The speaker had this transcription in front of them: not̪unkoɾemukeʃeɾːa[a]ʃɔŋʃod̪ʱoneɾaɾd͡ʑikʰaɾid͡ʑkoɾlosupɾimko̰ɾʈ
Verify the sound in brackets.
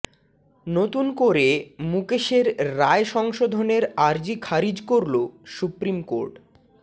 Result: incorrect: e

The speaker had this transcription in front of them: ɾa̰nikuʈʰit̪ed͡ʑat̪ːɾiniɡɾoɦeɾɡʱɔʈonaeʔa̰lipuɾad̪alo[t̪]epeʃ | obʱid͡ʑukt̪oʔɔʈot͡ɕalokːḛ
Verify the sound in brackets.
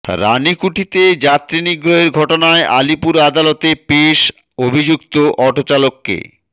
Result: correct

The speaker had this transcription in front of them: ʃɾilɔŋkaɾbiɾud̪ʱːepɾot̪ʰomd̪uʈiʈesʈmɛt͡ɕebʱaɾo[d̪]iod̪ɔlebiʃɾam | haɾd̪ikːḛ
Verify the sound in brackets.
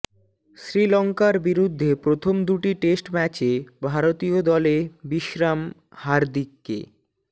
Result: incorrect: t̪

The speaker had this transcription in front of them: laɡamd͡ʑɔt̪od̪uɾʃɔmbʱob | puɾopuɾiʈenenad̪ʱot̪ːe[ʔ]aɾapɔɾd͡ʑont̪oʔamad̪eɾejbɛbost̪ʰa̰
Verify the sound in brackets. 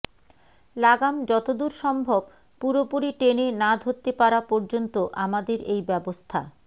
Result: incorrect: p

